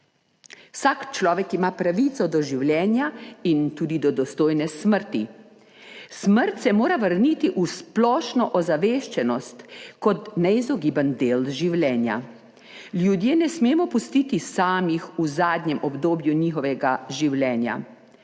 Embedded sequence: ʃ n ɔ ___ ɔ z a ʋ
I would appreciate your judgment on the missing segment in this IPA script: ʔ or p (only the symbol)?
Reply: ʔ